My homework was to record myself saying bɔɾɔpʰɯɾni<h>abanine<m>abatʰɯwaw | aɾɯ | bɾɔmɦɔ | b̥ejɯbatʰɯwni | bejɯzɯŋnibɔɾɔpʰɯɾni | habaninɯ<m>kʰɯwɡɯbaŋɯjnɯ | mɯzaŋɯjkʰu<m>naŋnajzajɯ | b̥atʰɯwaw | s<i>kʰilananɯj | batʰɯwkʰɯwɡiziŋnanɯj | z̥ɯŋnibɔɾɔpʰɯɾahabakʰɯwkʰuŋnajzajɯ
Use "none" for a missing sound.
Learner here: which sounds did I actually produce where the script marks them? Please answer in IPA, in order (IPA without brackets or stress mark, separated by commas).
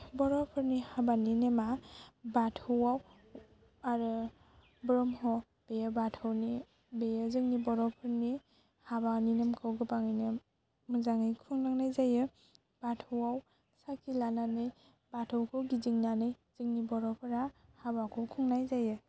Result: h, m, m, ŋ, a